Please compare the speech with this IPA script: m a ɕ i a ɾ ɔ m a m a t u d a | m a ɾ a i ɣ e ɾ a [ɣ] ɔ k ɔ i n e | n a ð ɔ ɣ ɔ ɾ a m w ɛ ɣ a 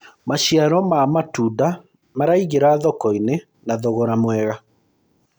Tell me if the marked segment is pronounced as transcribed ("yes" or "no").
no